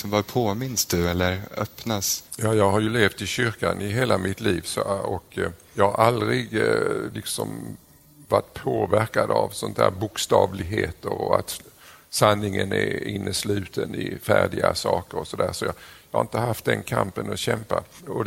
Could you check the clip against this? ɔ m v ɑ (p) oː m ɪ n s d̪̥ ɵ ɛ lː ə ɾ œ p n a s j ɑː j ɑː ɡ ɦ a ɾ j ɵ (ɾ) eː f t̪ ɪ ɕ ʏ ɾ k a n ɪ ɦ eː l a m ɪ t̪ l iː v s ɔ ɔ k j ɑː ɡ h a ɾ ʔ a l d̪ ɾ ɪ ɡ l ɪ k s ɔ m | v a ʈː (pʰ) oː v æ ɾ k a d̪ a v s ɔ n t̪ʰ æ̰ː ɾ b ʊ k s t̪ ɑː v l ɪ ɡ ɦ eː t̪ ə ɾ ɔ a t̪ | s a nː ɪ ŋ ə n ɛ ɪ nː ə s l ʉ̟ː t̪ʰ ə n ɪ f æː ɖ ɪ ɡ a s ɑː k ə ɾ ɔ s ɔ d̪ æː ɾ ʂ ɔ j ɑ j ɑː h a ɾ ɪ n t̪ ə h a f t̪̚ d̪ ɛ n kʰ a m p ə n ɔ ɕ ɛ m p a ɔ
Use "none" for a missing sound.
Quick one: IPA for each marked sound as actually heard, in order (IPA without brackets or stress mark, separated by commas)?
pʰ, l, pʰ